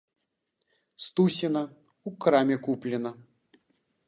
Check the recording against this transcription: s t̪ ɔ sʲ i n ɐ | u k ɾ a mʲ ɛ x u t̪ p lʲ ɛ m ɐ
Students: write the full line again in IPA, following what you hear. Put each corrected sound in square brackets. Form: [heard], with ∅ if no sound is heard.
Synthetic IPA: s t̪ [u] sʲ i n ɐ | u k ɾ a mʲ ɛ [k] u [∅] p lʲ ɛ [n] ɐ